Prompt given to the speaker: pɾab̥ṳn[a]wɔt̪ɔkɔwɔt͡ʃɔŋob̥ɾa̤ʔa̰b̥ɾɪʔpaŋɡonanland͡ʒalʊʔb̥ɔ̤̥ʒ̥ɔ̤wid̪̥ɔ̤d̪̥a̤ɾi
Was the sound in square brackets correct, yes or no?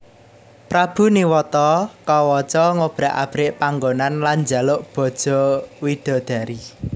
no